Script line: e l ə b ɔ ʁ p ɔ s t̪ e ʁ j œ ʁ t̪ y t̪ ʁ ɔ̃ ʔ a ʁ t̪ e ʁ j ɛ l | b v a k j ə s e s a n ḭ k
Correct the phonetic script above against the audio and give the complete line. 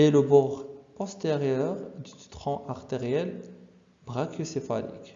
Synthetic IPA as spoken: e l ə b ɔ ʁ p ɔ s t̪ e ʁ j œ ʁ d̪ y t̪ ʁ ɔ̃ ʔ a ʁ t̪ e ʁ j ɛ l | b ʁ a k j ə s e f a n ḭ k